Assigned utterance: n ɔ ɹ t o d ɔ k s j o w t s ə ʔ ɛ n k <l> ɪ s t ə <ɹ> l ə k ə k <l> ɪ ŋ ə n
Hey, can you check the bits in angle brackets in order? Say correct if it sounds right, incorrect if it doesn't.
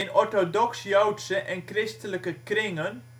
incorrect: r, incorrect: none, incorrect: r

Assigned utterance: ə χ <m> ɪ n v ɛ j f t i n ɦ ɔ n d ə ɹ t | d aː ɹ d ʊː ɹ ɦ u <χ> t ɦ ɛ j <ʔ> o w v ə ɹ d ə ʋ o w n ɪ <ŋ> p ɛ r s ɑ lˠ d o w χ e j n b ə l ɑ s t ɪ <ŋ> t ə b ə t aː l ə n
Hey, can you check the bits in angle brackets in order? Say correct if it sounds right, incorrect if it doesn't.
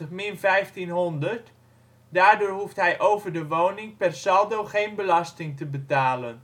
correct, incorrect: f, correct, correct, correct

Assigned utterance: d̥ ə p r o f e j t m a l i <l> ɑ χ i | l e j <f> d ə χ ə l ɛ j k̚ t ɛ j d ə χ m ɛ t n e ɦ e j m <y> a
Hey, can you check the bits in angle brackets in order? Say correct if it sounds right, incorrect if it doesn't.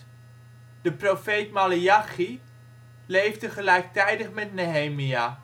incorrect: none, incorrect: v, incorrect: i

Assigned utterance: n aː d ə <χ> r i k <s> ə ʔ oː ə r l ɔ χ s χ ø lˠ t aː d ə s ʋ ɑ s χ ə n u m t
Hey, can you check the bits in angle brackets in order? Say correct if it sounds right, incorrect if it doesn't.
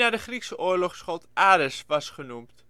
correct, correct

